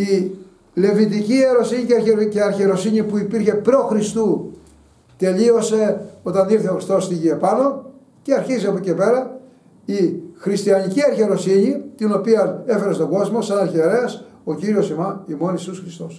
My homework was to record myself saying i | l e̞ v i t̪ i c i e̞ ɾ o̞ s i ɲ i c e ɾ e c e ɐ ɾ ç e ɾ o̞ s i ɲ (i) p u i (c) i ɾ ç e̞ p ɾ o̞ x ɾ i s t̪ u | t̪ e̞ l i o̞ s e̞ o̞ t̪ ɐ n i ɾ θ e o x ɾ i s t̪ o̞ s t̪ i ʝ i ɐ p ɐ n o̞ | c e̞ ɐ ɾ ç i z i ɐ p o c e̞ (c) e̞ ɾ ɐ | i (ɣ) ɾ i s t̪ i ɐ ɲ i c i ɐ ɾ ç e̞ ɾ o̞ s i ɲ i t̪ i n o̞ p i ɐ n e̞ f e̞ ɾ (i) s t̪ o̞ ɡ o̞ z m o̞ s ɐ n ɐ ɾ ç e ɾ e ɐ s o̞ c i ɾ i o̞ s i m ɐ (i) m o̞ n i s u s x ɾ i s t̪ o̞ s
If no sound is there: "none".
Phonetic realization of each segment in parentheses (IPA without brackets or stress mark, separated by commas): i, p, p, x, e, i